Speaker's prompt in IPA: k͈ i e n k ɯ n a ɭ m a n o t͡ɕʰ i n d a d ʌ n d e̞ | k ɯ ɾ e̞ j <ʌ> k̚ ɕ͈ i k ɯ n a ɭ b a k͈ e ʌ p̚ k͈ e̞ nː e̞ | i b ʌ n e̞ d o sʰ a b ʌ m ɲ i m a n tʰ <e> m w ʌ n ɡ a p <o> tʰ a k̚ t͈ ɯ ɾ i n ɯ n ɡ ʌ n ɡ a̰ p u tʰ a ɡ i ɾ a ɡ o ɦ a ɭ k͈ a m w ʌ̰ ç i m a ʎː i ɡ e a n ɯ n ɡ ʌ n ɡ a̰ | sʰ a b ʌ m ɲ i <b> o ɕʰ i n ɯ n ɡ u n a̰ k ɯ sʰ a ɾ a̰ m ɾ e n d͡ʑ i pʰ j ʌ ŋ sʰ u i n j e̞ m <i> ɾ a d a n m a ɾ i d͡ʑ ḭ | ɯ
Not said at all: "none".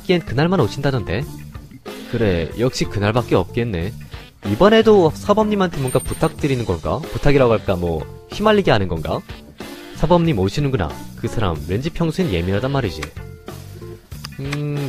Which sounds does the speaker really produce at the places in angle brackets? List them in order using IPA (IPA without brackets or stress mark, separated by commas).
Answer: ʌ, e, u, m, i